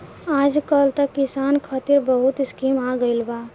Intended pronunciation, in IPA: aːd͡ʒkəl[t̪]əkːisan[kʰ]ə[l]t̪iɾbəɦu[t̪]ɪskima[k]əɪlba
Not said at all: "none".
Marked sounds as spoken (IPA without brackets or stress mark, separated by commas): t̪, kʰ, none, t̪, ɡ